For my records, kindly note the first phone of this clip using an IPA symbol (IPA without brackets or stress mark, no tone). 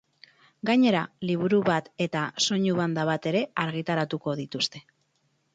ɡ